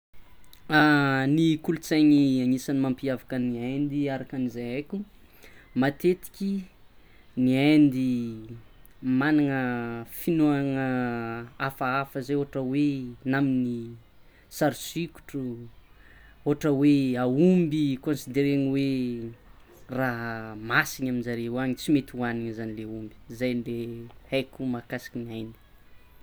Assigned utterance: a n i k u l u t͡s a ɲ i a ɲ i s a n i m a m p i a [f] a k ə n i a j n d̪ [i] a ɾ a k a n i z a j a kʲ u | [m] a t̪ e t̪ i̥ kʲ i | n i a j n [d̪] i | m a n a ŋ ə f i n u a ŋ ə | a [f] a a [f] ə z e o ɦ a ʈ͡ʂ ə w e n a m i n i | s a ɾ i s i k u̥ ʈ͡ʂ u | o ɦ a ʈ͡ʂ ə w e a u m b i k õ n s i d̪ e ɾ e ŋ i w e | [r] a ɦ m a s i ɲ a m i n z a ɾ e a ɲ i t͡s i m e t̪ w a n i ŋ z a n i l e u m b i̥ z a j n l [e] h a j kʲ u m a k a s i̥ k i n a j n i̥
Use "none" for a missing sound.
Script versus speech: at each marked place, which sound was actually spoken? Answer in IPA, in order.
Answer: v, i, m, d̪, f, f, r, e

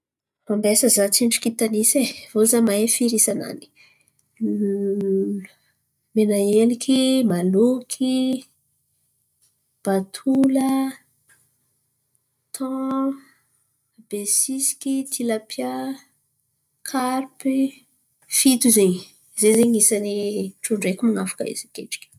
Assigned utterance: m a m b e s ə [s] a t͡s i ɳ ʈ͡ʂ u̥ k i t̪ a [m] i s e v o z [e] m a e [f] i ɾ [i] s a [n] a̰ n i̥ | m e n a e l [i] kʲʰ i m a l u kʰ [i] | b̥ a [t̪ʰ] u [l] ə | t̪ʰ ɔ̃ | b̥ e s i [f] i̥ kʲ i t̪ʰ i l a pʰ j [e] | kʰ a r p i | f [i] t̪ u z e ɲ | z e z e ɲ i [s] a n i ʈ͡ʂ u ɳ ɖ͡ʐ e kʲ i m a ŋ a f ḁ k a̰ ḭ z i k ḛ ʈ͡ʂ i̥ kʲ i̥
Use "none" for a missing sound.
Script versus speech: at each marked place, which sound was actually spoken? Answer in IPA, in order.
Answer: z, n, a, f, i, n, i, i, t̪ʰ, l, s, a, i, s

